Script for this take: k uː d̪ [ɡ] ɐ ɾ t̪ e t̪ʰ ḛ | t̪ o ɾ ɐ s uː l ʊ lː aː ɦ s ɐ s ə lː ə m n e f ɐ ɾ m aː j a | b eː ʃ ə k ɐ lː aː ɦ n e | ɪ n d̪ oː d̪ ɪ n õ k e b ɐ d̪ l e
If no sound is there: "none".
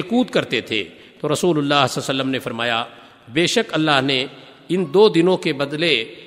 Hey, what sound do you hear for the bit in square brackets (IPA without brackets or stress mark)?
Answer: k